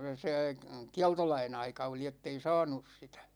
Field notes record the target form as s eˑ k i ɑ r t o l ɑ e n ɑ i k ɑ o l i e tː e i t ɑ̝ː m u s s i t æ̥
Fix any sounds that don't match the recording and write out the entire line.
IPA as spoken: s eˑ k i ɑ l t o l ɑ i n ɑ i k ɑ o l i e tː e i s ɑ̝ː n u s s i t æ̥